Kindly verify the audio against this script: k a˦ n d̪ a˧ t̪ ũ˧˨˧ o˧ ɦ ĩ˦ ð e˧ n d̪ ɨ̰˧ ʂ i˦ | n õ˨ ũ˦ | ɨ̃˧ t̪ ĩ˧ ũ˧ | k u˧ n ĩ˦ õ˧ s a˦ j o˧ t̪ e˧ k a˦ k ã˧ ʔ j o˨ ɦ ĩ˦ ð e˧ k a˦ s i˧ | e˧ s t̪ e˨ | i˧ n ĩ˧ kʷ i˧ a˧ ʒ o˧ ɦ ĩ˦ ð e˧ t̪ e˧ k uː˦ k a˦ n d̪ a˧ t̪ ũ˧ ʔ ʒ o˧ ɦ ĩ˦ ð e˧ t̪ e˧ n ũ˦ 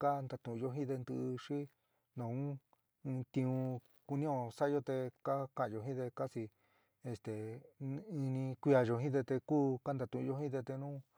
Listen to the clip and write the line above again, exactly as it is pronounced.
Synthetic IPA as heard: k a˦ n d̪ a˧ t̪ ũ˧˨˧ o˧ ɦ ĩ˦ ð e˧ n d̪ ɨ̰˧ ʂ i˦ | n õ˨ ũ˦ | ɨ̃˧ t̪ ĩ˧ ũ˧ | k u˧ n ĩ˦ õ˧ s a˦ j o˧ t̪ e˧ k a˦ k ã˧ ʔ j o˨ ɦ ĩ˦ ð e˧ k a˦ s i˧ | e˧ s t̪ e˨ | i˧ n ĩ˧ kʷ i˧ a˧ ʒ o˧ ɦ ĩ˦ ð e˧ t̪ e˧ k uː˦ k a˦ n d̪ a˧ t̪ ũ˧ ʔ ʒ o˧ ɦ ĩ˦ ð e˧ t̪ e˧ n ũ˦